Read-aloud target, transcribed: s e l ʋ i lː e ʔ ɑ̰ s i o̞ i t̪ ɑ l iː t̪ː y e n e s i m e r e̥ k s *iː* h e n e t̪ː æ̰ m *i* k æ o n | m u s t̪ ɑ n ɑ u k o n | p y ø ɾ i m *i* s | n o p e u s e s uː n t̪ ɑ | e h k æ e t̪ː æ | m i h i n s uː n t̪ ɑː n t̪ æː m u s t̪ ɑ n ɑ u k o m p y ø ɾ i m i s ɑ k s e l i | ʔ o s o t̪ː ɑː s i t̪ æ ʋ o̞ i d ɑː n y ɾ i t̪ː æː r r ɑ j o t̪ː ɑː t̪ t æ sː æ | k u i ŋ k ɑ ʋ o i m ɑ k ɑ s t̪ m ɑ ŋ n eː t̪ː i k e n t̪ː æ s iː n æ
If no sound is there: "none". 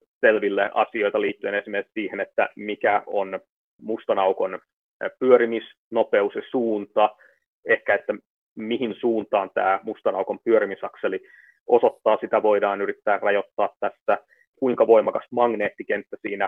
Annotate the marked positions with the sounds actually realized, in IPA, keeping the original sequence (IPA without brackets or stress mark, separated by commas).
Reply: iː, i, i